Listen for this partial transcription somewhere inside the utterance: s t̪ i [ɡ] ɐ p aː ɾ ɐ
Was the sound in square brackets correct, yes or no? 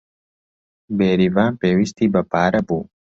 no